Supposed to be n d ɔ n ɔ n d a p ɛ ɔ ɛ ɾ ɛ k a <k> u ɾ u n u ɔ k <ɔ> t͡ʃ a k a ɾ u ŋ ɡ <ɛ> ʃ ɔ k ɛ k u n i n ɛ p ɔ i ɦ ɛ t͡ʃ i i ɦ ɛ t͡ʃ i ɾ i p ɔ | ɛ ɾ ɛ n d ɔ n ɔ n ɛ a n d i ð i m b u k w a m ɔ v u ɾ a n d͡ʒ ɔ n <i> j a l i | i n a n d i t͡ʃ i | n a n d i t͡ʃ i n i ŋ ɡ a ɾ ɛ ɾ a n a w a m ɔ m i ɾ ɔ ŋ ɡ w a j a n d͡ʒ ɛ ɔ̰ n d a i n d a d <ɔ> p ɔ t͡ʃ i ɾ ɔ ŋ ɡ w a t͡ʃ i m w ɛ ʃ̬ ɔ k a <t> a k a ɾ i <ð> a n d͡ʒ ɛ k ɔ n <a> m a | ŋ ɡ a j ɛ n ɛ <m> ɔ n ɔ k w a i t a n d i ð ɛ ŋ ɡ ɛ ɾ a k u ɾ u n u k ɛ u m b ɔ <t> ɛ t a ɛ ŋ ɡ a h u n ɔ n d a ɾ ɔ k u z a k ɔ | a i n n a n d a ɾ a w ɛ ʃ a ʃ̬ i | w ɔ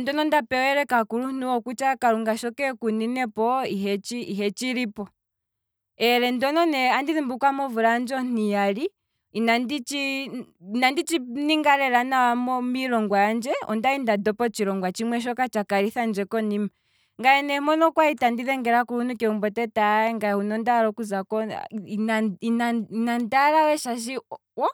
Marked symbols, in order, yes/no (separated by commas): yes, no, no, yes, yes, no, no, no, yes, yes